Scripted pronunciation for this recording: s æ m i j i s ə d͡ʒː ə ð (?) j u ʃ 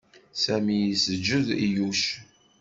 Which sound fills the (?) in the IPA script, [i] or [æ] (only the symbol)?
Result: i